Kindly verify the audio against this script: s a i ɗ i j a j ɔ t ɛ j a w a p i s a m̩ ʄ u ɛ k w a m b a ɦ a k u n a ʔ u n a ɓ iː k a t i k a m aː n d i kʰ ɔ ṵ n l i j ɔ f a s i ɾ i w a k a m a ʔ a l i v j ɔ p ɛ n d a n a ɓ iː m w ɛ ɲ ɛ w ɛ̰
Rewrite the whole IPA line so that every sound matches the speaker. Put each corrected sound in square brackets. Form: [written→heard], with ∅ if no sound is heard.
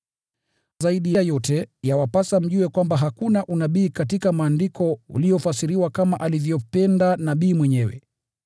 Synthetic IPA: [s→z] a i ɗ i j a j ɔ t ɛ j a w a p [i→a] s a m̩ ʄ u ɛ k w a m b a ɦ a k u n a ʔ u n a ɓ iː k a t i k a m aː n d i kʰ ɔ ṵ [n→∅] l i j ɔ f a s i ɾ i w a k a m a ʔ a l i v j ɔ p ɛ n d a n a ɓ iː m w ɛ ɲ ɛ w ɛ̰